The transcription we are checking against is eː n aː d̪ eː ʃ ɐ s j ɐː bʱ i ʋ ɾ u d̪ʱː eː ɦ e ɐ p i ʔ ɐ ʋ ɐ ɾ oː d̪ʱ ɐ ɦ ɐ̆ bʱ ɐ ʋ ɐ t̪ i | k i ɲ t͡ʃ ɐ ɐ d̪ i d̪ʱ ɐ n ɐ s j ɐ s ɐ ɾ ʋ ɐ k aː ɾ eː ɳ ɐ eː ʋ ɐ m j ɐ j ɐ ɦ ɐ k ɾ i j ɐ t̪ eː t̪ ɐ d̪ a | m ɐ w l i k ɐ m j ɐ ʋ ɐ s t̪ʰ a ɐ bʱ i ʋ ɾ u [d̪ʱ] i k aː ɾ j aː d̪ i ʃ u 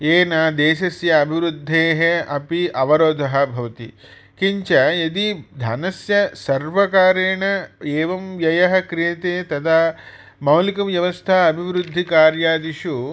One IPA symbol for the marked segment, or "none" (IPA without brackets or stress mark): d̪ʱː